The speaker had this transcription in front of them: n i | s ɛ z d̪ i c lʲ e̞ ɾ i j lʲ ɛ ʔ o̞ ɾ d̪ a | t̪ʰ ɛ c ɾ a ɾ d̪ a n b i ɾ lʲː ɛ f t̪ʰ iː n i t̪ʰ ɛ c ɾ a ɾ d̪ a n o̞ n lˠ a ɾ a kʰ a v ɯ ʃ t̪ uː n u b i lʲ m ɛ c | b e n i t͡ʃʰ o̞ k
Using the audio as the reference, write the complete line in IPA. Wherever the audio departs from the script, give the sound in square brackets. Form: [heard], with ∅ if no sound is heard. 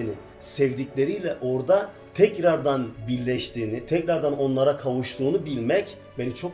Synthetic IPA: n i | s ɛ [v] d̪ i c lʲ e̞ ɾ i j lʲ ɛ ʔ o̞ ɾ d̪ a | t̪ʰ ɛ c ɾ a ɾ d̪ a n b i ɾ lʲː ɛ [ʃ] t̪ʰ iː n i t̪ʰ ɛ c ɾ a ɾ d̪ a n o̞ n lˠ a ɾ a kʰ a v [u] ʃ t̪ uː n u b i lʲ m ɛ c | b e n i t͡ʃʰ o̞ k

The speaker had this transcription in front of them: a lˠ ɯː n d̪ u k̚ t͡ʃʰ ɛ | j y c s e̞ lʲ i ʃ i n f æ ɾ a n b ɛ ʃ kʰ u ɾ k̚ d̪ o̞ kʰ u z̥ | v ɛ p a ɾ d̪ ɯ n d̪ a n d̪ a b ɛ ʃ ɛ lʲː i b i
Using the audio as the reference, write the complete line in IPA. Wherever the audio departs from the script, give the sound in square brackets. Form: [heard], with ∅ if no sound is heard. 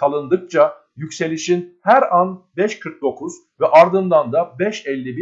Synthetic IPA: a lˠ [ɯ] n d̪ [ɯ] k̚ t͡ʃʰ [a] | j y c s e̞ lʲ i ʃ i n [h] æ ɾ a n b ɛ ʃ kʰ [ɯ] ɾ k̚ d̪ o̞ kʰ u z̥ | v ɛ [ʔ] a ɾ d̪ ɯ n d̪ a n d̪ a b ɛ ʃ ɛ lʲː i b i

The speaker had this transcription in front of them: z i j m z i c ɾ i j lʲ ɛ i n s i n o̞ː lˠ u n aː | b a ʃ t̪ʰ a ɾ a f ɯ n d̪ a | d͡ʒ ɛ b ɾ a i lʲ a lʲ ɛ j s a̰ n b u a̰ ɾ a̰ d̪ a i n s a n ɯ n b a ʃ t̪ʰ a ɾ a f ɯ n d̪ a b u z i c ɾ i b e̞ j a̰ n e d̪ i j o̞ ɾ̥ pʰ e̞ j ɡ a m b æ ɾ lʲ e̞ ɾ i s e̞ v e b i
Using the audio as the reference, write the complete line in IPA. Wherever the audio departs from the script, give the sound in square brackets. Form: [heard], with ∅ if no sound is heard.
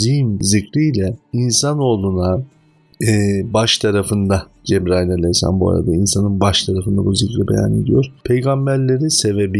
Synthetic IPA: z i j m z i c ɾ i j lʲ ɛ i n s [a] n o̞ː lˠ u n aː | b a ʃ t̪ʰ a ɾ a f ɯ n d̪ a | d͡ʒ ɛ b ɾ a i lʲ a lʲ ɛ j s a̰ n b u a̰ ɾ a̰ d̪ a i n s a n ɯ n b a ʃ t̪ʰ a ɾ a f ɯ n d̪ a b u z i c ɾ i b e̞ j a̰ n e d̪ i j o̞ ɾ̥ pʰ e̞ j ɡ a m b æ ɾ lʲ e̞ ɾ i s e̞ v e b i

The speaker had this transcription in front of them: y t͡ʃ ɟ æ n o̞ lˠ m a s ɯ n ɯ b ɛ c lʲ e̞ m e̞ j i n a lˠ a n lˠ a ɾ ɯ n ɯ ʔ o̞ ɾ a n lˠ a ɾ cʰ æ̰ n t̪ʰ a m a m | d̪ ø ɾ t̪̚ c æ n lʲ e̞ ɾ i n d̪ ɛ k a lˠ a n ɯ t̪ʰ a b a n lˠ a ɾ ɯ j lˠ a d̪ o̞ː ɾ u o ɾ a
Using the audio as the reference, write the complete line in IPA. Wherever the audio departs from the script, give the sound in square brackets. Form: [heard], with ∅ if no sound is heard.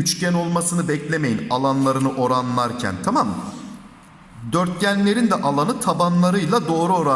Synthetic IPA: y t͡ʃ [c] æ n o̞ lˠ m a s ɯ n ɯ b ɛ c lʲ e̞ m e̞ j i n a lˠ a n lˠ a ɾ ɯ n ɯ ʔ o̞ ɾ a n lˠ a ɾ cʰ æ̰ n t̪ʰ a m a m | d̪ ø ɾ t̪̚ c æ n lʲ e̞ ɾ i n d̪ ɛ [ʔ] a lˠ a n ɯ t̪ʰ a b a n lˠ a ɾ ɯ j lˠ a d̪ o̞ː ɾ u o ɾ a

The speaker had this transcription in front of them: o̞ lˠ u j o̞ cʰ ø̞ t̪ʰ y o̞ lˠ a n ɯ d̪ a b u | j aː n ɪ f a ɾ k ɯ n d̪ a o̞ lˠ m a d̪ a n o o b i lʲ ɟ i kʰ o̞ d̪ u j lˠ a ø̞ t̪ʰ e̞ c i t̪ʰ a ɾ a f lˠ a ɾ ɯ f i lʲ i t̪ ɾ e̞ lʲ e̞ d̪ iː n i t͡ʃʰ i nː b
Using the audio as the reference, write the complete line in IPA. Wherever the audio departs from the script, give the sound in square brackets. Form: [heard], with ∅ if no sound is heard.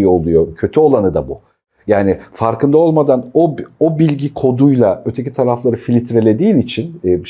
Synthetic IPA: o̞ lˠ u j o̞ cʰ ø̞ t̪ʰ y o̞ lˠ a n ɯ d̪ a b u | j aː n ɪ f a ɾ k ɯ n d̪ a o̞ lˠ m a d̪ a n o o b i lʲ ɟ i kʰ o̞ d̪ u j lˠ a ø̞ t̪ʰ e̞ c i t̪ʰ a ɾ a f lˠ a ɾ ɯ f i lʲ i t̪ ɾ e̞ lʲ e̞ d̪ iː n i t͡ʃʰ i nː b

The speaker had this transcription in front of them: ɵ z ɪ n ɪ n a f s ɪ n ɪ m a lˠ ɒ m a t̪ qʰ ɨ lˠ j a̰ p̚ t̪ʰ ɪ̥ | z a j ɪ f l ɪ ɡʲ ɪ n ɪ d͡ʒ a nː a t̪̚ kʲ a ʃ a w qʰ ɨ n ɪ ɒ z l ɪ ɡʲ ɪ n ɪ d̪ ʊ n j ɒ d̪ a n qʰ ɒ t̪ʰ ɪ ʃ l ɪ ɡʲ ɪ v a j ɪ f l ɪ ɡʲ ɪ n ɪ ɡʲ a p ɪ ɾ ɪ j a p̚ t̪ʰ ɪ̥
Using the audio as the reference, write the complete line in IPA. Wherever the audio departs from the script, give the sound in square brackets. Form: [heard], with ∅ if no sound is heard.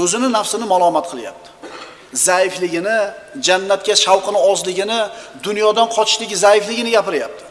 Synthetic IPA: ɵ z ɪ n ɪ n a f s ɪ n ɪ m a lˠ ɒ m a t̪ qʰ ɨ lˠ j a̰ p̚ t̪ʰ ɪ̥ | z a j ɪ f l ɪ ɡʲ ɪ n ɪ d͡ʒ a nː a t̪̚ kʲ a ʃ a w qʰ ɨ n ɪ ɒ z l ɪ ɡʲ ɪ n ɪ d̪ ʊ n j ɒ d̪ a n qʰ ɒ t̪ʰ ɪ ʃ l ɪ ɡʲ ɪ [z] a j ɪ f l ɪ ɡʲ ɪ n ɪ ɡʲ a p ɪ ɾ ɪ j a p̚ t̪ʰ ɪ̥

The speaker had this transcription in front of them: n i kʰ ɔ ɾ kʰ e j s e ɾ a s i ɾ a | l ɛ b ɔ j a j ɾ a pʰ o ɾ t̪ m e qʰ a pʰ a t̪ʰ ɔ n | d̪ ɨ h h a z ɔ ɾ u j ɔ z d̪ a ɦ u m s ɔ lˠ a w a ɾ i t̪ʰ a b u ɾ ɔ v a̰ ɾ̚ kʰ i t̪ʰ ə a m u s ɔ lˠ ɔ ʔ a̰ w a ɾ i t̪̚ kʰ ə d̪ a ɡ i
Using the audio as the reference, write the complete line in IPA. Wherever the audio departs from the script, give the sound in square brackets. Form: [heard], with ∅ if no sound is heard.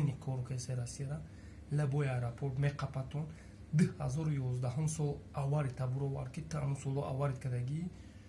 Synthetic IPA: n i kʰ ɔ ɾ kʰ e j s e ɾ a s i ɾ a | l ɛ b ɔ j a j ɾ a pʰ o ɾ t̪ m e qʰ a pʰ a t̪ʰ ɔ n | d̪ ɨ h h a z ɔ ɾ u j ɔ z d̪ a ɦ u m s ɔ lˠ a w a ɾ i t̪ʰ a b u ɾ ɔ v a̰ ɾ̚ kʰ i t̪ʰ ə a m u s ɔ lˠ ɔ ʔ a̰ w a ɾ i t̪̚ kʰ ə d̪ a ɡ i

